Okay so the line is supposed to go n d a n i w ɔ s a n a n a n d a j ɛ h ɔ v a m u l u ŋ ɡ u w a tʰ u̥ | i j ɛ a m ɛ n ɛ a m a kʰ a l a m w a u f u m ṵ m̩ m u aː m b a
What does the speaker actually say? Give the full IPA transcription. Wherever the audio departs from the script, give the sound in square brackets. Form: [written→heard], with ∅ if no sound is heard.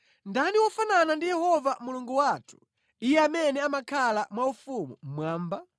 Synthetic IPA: n d a n i w ɔ [s→f] a n a n a n d [a→i] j ɛ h ɔ v a m u l u ŋ ɡ u w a tʰ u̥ | i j ɛ a m ɛ n ɛ a m a kʰ a l a m w a u f u m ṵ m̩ m [u→w] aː m b a